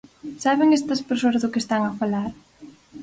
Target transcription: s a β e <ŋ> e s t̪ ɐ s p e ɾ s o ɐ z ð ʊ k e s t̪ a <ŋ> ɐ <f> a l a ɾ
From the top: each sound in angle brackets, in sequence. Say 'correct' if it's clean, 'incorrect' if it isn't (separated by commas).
correct, correct, correct